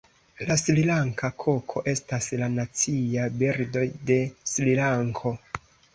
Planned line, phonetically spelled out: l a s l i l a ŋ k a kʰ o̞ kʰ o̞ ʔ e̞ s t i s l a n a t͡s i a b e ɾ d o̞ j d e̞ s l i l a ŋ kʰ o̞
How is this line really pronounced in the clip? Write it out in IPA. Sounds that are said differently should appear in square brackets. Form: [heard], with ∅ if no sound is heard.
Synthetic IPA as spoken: l a s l i l a ŋ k a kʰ o̞ kʰ o̞ ʔ e̞ s t [a] s l a n a t͡s i a b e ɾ d o̞ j d e̞ s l i l a ŋ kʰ o̞